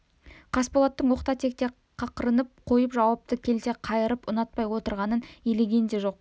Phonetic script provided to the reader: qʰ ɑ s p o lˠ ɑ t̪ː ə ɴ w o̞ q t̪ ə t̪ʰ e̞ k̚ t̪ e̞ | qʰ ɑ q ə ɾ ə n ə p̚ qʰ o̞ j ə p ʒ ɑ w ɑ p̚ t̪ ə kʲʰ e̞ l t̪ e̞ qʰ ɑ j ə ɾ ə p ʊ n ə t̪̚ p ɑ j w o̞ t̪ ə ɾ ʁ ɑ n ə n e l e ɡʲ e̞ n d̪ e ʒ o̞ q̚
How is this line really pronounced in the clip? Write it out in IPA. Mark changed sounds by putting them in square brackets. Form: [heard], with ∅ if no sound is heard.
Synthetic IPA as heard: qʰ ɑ s p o lˠ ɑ t̪ː ə ɴ w o̞ q t̪ [ɑ] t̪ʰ e̞ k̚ t̪ e̞ | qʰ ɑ q ə ɾ ə n ə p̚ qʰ o̞ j ə p ʒ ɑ w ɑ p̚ t̪ ə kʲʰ e̞ l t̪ e̞ qʰ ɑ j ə ɾ ə p ʊ n [ɑ] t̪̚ p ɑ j w o̞ t̪ ə ɾ ʁ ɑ n ə n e l e ɡʲ e̞ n d̪ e ʒ o̞ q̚